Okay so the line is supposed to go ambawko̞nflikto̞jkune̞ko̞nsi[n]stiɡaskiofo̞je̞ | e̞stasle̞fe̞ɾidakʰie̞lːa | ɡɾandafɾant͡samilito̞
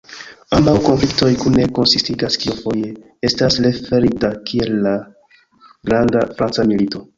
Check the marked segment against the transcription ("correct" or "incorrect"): incorrect